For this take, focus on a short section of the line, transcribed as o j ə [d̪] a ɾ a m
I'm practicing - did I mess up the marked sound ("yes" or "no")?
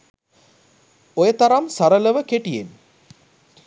yes